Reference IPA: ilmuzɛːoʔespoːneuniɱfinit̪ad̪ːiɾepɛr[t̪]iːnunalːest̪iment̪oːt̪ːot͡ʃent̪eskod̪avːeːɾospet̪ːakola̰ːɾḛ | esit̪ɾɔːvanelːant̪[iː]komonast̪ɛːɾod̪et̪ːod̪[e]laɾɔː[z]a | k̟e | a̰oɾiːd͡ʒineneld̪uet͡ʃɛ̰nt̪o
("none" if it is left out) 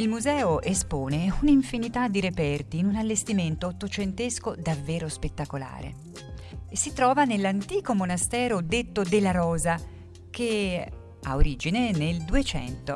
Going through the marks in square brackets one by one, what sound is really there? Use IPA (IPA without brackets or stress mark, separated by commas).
t̪, iː, e, z